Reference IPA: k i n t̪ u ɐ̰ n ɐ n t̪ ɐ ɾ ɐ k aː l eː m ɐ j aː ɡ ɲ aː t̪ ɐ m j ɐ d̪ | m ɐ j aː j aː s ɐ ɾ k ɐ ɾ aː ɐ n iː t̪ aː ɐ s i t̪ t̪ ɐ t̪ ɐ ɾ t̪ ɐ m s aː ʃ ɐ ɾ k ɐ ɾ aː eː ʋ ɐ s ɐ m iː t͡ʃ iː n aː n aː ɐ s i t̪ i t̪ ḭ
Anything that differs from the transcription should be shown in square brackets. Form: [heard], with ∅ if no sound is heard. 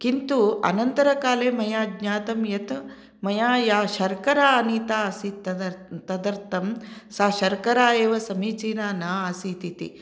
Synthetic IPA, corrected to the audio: k i n t̪ u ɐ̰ n ɐ n t̪ ɐ ɾ ɐ k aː l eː m ɐ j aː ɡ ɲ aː t̪ ɐ m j ɐ [t̪] | m ɐ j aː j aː [ʃ] ɐ ɾ k ɐ ɾ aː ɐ n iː t̪ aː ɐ s i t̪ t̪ ɐ [d̪] ɐ ɾ t̪ ɐ m s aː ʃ ɐ ɾ k ɐ ɾ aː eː ʋ ɐ s ɐ m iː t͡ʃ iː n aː n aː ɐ s i t̪ i t̪ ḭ